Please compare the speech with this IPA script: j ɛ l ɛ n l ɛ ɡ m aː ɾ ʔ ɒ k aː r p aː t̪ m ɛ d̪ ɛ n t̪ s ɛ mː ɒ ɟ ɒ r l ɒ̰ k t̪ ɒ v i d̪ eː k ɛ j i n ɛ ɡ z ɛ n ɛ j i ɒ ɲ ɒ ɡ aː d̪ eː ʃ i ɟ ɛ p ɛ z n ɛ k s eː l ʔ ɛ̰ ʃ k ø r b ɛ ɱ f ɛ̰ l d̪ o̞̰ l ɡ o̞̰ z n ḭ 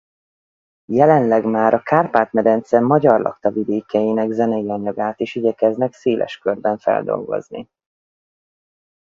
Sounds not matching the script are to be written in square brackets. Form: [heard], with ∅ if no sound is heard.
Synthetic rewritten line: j ɛ l ɛ n l ɛ ɡ m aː ɾ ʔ ɒ k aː r p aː t̪ m ɛ d̪ ɛ n t̪ s ɛ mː ɒ ɟ ɒ r l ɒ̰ k t̪ ɒ v i d̪ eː k ɛ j i n ɛ ɡ z ɛ n ɛ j i ɒ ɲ ɒ ɡ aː [t̪] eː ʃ i ɟ ɛ [k] ɛ z n ɛ k s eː l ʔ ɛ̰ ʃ k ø r b ɛ ɱ f ɛ̰ l d̪ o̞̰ l ɡ o̞̰ z n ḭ